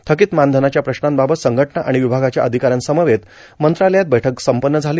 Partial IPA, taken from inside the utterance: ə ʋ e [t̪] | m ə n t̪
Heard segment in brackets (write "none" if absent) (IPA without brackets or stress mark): t̪